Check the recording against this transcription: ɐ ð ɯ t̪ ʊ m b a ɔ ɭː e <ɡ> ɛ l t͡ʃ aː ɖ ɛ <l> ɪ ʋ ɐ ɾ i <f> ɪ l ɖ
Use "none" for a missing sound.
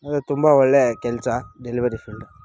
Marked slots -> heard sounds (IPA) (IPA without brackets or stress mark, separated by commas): k, l, f